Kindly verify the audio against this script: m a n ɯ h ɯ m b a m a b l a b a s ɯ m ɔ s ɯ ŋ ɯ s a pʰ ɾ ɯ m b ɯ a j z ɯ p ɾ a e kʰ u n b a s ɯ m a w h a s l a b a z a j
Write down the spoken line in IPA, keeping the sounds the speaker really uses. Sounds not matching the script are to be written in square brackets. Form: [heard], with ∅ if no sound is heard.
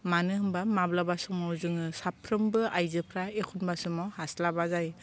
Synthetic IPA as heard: m a n ɯ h ɯ m b a m a b l a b a s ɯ m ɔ [z] ɯ ŋ ɯ s a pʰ ɾ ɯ m b ɯ a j z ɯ [pʰ] ɾ a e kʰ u n b a s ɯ m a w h a s l a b a z a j